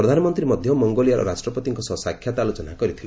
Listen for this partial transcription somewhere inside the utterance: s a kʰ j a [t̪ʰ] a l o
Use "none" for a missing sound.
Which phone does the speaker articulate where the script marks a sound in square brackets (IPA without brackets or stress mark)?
t̪